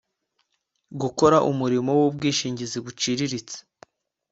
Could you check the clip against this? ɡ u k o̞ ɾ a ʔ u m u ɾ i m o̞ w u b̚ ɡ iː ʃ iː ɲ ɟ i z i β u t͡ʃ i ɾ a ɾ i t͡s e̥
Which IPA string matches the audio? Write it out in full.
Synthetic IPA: ɡ u k o̞ ɾ a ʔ u m u ɾ i m o̞ w u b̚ ɡ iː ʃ iː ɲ ɟ i z i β u t͡ʃ i ɾ i ɾ i t͡s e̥

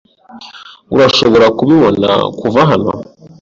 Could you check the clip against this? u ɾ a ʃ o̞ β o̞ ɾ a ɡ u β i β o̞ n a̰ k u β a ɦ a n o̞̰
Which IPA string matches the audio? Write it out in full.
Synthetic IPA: u ɾ a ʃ o̞ β o̞ ɾ a k u β i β o̞ n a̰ k u v a ɦ a n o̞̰

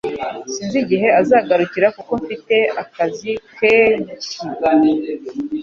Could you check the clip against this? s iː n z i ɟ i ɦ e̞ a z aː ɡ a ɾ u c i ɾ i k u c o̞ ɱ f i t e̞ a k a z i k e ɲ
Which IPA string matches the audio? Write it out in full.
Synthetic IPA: s iː n z i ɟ i ɦ e̞ a z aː ɡ a ɾ u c i ɾ a k u k o̞ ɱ f i t e̞ a k a z i k e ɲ

